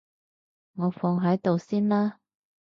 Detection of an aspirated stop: absent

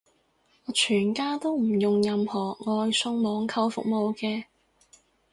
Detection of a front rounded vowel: present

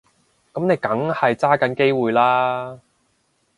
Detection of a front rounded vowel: absent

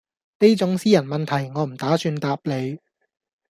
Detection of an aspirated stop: present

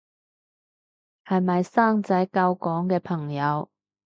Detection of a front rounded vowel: absent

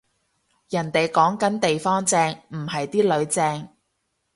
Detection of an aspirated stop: absent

